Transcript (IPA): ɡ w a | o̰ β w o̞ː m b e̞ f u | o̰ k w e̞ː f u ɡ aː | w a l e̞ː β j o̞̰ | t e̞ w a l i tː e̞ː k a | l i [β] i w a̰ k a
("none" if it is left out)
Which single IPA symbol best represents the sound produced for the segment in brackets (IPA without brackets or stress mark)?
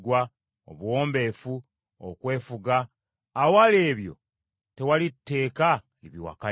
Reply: β